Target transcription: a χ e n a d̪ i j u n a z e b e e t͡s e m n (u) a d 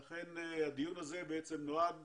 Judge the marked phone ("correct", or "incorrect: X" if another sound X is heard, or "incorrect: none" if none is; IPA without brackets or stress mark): incorrect: o